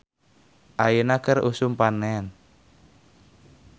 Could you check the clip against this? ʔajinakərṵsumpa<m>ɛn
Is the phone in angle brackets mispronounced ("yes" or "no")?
yes